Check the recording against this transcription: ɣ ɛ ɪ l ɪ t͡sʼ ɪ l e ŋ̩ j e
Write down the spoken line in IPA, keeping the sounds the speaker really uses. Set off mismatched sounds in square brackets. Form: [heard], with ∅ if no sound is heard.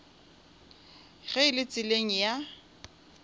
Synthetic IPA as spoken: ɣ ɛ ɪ l ɪ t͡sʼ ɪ l e ŋ̩ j [a]

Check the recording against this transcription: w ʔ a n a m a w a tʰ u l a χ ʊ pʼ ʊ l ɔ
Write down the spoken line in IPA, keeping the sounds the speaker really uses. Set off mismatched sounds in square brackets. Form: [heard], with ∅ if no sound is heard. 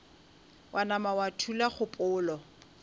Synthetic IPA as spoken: w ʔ a n a m a w a tʰ u l a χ ʊ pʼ [ʊː] l ɔ

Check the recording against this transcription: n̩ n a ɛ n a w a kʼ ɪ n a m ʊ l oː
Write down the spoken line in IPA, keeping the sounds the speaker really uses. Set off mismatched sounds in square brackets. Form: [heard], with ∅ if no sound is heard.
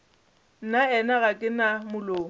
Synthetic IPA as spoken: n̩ n a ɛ n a [ɣ] a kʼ ɪ n a m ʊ l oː

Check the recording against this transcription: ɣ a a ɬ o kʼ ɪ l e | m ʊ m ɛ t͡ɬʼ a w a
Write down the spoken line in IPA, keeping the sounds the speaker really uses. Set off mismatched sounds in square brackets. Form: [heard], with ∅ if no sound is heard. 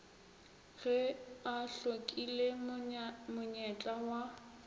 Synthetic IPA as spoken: ɣ [ɛ] a ɬ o kʼ [i] l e | m ʊ [ɲ] ɛ t͡ɬʼ a w a

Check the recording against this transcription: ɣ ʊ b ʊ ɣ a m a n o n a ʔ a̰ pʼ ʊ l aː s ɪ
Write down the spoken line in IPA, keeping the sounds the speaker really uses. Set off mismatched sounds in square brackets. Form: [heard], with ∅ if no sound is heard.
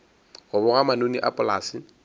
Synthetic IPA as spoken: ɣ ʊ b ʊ ɣ a m a n o n [i] ʔ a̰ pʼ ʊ l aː s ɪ

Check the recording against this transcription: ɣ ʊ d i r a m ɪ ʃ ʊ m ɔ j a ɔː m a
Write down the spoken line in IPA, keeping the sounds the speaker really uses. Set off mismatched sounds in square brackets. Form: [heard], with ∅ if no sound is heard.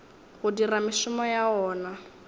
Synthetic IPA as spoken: ɣ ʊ d i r a m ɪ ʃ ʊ m ɔ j a ɔː [n] a

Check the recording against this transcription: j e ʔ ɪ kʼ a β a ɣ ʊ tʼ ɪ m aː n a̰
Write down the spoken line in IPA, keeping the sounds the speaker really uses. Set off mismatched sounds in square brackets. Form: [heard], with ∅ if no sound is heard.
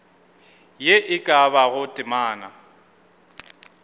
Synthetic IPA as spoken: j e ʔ ɪ kʼ a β a ɣ ʊ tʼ ɪ m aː n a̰

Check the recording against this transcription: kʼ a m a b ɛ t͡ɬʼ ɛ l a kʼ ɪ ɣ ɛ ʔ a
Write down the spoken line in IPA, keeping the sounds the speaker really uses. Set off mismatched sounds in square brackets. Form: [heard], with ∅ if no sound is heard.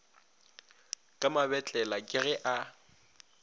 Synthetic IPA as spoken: kʼ a m a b ɛ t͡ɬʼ ɛ l a kʼ ɪ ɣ ɛ ʔ a

